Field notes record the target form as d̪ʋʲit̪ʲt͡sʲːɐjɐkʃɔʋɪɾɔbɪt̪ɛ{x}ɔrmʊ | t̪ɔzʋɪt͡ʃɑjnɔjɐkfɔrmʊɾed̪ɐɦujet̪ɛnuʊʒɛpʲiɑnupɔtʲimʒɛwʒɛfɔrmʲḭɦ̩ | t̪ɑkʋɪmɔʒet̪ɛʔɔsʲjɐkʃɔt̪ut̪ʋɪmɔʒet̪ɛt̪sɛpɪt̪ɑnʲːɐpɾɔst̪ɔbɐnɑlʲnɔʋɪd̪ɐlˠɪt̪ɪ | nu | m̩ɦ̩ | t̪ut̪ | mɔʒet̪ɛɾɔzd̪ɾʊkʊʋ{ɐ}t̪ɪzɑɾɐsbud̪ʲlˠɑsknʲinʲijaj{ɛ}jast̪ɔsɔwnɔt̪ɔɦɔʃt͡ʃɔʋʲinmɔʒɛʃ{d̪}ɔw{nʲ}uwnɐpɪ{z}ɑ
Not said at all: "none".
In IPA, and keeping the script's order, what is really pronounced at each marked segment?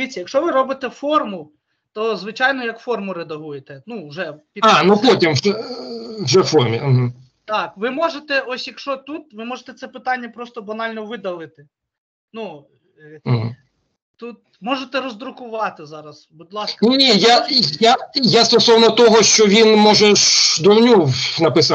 f, ɑ, a, d̪, nʲ, s

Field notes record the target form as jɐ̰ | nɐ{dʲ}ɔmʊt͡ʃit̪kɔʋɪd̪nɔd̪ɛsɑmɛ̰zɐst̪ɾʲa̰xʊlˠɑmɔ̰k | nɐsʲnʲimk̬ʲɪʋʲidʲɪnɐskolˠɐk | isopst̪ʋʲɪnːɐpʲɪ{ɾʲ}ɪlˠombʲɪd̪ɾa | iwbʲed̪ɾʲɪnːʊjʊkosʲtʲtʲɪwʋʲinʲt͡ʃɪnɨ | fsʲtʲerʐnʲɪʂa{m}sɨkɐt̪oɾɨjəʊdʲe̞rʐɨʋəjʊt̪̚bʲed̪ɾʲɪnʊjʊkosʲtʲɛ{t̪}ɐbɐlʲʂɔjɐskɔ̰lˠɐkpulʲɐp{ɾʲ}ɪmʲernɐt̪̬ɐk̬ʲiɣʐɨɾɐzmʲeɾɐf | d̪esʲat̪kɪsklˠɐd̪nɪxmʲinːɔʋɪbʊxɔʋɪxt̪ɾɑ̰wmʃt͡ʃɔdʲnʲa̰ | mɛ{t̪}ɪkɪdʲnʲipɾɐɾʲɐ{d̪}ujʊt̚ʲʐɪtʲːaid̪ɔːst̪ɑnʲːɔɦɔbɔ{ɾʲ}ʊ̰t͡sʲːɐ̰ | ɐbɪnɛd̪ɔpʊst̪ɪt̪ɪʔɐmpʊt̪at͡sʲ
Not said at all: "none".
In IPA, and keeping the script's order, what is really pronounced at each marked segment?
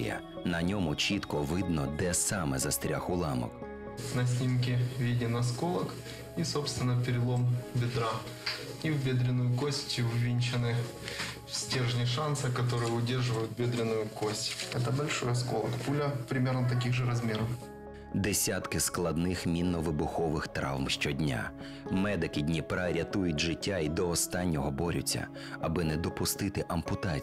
nʲ, ɾʲ, n, t̪, ɾʲ, d̪, t̪, ɾʲ

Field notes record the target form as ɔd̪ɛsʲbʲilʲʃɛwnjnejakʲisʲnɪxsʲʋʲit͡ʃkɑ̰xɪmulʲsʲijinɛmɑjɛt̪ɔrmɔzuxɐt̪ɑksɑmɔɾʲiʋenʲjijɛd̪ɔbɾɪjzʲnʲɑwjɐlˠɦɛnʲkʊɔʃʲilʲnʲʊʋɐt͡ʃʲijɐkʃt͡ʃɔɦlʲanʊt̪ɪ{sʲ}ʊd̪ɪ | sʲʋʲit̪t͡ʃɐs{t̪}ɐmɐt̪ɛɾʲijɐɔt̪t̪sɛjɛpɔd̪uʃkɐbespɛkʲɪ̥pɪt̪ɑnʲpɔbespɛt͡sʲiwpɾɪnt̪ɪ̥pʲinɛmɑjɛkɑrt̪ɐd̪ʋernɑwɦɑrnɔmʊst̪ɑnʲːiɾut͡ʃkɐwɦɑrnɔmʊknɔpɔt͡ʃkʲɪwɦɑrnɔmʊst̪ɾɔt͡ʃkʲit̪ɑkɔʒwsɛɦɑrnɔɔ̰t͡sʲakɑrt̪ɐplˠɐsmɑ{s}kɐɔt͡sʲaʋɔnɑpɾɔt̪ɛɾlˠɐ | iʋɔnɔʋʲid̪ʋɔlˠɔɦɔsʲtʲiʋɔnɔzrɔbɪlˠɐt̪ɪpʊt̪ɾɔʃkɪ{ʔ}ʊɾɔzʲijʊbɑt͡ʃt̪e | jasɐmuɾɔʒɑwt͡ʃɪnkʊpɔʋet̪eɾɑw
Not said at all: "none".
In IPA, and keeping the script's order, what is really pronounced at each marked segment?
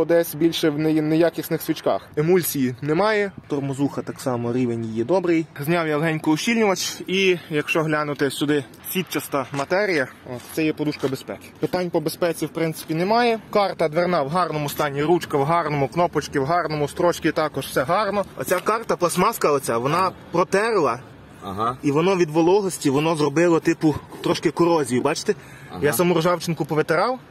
sʲ, t̪, s, k

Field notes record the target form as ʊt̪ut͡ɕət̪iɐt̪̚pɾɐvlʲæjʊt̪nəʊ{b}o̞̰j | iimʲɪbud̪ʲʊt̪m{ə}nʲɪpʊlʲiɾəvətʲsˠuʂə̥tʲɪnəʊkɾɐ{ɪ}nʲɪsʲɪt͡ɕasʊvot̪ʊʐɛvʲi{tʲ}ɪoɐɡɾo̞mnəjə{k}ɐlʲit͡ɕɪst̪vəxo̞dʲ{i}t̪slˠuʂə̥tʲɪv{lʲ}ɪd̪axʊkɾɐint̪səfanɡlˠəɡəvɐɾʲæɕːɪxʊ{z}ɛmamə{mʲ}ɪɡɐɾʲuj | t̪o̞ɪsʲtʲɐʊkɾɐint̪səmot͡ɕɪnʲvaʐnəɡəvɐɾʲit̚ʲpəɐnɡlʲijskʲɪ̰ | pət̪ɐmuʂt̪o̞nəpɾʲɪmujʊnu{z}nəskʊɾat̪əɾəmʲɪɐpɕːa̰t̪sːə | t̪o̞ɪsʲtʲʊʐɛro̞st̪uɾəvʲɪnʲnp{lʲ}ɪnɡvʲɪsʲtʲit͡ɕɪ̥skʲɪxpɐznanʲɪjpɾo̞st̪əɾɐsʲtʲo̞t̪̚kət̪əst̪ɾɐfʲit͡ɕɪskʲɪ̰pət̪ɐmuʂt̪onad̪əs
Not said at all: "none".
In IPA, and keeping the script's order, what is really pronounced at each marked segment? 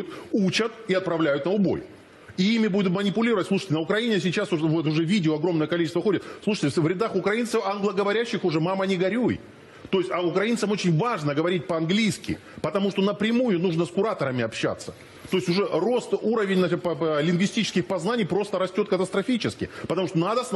b, ə, i, dʲ, k, ɪ, ɾʲ, ʐ, nʲ, ʐ, lʲ

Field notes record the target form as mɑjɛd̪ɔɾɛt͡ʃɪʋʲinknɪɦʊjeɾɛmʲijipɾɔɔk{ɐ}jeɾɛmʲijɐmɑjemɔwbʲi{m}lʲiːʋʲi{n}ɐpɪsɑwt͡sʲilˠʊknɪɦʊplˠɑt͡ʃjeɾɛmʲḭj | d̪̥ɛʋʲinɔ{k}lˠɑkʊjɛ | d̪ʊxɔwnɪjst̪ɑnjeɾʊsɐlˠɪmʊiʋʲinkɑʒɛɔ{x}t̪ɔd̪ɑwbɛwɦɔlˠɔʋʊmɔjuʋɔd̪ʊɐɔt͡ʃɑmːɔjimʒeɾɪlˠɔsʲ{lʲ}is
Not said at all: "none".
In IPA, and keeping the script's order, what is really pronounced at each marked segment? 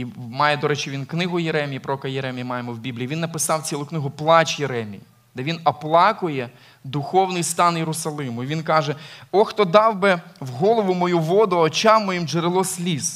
ɐ, b, nː, p, x, lʲ

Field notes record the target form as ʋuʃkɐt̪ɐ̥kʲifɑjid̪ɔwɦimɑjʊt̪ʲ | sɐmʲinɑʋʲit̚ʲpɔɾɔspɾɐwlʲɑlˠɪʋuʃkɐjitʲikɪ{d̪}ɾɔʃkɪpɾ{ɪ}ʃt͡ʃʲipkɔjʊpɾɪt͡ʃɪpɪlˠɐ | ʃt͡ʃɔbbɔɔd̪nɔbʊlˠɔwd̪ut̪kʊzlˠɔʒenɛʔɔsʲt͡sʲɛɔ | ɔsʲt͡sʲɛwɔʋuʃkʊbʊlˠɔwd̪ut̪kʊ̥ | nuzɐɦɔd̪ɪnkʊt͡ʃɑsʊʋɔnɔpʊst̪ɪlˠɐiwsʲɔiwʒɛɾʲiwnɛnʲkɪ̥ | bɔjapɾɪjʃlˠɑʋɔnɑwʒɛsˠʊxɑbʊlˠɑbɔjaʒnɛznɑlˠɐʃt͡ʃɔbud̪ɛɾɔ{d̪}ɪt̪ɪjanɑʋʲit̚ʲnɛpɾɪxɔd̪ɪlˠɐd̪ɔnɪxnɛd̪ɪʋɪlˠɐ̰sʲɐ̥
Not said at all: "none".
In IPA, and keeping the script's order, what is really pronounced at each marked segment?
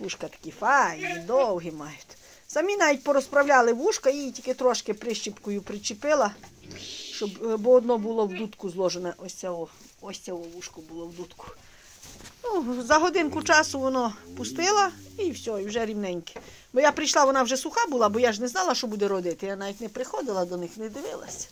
t̪, ɪ, d̪

